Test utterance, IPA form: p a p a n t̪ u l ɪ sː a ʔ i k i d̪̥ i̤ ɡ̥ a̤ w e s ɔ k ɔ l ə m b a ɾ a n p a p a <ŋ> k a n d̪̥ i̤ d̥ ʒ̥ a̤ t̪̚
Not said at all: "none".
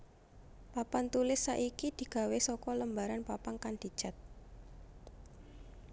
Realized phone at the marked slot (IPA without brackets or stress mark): ŋ